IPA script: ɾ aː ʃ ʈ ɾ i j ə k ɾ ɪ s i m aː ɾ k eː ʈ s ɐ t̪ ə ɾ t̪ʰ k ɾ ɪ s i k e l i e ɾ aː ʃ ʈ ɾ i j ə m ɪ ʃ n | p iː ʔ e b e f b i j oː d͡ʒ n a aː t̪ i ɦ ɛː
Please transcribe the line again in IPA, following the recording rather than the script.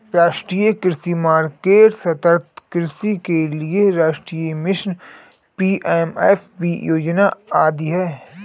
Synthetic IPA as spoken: ɾ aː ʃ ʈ ɾ i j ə k ɾ ɪ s i m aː ɾ k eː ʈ s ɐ t̪ ə ɾ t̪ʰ k ɾ ɪ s i k e l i e ɾ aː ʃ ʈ ɾ i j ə m ɪ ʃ n | p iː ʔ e m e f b i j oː d͡ʒ n a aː d̪ i ɦ ɛː